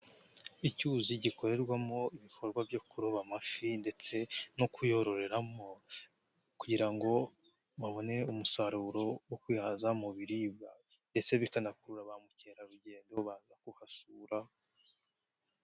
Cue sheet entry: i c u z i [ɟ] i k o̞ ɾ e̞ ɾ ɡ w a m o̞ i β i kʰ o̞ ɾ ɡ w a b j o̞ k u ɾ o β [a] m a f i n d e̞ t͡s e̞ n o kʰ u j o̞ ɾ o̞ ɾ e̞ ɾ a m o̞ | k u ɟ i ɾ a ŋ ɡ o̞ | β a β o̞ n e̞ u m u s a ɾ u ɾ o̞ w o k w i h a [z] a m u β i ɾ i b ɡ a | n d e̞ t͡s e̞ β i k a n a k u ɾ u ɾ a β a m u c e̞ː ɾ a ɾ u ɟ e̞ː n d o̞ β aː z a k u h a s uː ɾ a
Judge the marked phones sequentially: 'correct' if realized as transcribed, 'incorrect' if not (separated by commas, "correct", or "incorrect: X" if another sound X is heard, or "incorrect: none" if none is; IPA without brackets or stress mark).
correct, correct, correct